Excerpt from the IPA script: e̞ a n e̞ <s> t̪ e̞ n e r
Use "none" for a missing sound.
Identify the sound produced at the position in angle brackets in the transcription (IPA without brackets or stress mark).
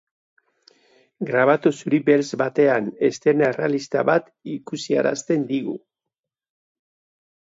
s